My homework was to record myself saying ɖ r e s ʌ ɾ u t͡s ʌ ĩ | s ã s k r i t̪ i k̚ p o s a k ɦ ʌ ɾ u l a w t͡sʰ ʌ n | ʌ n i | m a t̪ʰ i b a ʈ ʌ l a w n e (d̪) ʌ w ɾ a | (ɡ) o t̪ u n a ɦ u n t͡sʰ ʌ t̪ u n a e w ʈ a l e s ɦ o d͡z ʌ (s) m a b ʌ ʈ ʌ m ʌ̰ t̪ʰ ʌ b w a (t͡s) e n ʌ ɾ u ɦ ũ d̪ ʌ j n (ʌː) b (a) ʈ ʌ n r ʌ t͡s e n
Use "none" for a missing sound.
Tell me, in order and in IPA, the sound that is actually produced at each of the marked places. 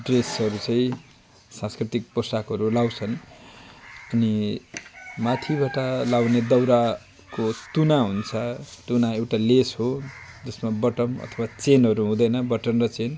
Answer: d̪, k, s, t͡s, ʌ, ʌ

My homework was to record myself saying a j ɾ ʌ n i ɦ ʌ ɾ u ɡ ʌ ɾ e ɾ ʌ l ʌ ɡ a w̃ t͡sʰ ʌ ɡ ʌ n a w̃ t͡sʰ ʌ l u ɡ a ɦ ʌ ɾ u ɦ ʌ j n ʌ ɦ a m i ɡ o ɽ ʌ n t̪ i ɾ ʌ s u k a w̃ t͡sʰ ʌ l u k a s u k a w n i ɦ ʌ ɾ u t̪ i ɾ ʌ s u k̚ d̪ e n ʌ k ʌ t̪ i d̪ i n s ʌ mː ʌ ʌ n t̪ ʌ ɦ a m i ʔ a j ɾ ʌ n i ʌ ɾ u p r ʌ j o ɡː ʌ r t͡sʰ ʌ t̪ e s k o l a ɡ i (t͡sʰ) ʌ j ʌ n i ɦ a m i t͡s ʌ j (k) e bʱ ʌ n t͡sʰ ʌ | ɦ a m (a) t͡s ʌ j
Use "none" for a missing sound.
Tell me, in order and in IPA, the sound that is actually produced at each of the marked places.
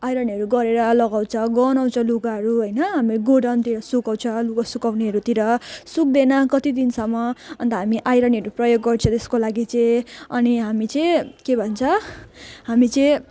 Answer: t͡s, k, i

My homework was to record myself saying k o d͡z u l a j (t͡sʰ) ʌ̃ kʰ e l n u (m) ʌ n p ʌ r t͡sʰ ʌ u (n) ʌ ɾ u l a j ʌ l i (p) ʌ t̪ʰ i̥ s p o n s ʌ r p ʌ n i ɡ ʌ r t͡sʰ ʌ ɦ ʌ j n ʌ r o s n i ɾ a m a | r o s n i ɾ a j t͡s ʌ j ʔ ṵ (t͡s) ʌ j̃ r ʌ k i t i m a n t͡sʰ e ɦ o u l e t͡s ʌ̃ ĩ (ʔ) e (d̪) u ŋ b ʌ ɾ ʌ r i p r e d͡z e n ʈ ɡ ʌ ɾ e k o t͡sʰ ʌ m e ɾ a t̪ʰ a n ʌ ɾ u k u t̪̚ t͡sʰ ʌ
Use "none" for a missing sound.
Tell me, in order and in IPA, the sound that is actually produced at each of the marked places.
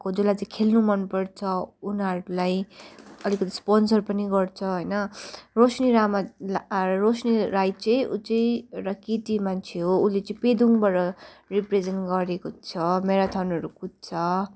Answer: t͡s, m, n, k, t͡s, p, d̪

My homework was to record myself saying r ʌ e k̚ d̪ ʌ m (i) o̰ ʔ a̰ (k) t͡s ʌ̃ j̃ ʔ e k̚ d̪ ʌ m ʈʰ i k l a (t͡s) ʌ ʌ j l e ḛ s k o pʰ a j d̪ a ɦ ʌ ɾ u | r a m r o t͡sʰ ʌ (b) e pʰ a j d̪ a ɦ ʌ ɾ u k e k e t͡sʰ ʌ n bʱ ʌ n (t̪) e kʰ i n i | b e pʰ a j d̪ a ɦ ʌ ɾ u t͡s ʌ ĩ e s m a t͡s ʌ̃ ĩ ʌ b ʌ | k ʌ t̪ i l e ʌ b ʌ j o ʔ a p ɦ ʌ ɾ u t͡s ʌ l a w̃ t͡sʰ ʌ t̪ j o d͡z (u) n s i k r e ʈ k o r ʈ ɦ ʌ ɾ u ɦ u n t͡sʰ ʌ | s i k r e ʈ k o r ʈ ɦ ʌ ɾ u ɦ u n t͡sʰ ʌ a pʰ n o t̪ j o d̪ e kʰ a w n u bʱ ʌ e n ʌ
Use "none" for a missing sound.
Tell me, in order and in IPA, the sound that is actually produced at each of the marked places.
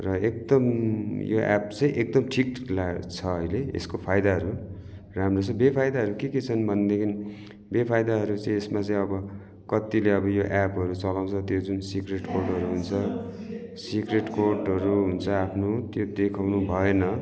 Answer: j, p, t͡sʰ, b, d̪, u

